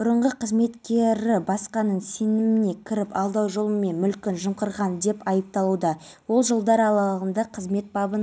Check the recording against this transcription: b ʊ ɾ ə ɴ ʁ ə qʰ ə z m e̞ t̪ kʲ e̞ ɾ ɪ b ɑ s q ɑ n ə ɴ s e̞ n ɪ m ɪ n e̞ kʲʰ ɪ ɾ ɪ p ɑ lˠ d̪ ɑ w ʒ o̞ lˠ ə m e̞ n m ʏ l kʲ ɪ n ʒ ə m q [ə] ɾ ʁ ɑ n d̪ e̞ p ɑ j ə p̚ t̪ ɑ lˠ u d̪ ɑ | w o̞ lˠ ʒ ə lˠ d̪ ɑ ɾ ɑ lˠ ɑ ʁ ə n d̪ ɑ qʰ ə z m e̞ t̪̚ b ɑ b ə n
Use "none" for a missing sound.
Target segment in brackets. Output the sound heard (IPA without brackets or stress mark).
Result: ə